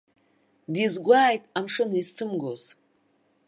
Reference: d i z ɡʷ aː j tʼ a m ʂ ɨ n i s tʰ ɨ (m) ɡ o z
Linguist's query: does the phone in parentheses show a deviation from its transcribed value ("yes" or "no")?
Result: no